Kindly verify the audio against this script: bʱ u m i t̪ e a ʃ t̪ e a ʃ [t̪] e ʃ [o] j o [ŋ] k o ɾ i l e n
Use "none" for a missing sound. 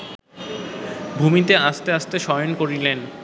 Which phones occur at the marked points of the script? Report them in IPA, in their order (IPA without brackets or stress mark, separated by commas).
t̪, ɔ, n